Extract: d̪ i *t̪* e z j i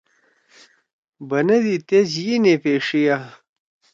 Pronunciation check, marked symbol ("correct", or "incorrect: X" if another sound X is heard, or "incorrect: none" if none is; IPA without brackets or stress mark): correct